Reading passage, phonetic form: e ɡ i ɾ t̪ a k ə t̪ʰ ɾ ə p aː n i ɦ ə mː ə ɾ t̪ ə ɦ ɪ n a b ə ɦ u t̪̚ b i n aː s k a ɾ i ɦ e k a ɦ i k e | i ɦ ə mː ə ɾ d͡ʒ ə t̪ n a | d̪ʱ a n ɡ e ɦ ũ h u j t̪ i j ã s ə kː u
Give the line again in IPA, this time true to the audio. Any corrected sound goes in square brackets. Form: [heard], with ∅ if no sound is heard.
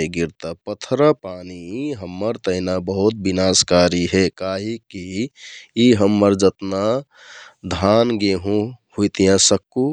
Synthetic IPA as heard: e ɡ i ɾ t̪ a [p] ə t̪ʰ ɾ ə p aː n i ɦ ə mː ə ɾ t̪ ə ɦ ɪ n a b ə ɦ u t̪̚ b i n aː s k a ɾ i ɦ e k a ɦ i k [i] | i ɦ ə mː ə ɾ d͡ʒ ə t̪ n a | d̪ʱ a n ɡ e ɦ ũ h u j t̪ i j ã s ə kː u

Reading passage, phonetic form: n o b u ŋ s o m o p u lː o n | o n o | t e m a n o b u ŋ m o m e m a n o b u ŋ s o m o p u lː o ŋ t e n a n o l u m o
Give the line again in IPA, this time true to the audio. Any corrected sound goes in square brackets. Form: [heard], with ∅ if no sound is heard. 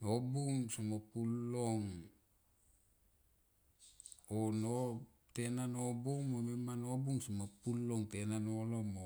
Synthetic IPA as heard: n o b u ŋ s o m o p u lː o [ŋ] | o n o | t e [n] a n o b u ŋ m o m e m a n o b u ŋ s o m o p u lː o ŋ t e n a n o l [o] m o

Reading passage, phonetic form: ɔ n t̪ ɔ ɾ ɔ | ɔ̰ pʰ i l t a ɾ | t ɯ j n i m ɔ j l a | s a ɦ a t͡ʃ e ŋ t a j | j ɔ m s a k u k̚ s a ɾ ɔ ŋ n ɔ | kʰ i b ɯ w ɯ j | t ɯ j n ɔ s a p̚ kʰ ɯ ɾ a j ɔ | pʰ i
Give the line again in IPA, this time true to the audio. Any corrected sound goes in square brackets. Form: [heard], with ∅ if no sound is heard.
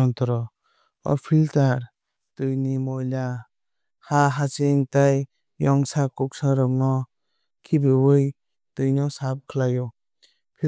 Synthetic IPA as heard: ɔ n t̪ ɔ ɾ ɔ | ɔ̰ pʰ i l t a ɾ | t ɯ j n i m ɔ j l a | [h] a ɦ a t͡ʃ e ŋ t a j | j ɔ [ŋ] s a k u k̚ s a ɾ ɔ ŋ n ɔ | kʰ i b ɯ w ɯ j | t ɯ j n ɔ s a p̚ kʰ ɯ [l] a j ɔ | pʰ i

